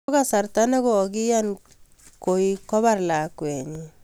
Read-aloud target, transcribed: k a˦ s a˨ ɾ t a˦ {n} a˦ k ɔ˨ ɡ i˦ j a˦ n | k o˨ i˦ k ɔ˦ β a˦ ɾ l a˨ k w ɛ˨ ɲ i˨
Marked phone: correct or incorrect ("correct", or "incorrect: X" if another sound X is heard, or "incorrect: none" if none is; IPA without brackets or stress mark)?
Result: correct